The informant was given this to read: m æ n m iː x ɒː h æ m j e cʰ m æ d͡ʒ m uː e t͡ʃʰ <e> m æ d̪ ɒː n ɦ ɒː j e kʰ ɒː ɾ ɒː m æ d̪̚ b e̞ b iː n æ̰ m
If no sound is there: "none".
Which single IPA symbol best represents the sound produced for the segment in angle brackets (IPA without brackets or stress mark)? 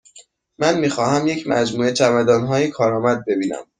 æ